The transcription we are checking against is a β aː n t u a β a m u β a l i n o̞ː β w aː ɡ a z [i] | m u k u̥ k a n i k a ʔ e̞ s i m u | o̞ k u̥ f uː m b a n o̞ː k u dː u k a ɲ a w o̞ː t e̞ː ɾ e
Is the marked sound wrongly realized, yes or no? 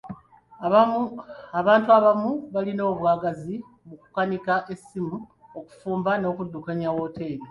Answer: no